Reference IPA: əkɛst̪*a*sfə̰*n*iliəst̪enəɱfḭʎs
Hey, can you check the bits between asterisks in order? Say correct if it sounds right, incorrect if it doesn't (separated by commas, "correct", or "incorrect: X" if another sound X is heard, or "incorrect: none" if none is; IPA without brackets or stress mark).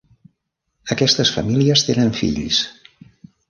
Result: incorrect: ə, incorrect: m